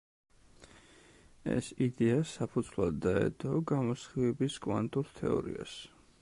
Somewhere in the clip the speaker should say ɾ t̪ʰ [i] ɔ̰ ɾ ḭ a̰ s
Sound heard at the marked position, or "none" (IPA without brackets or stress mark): ɛ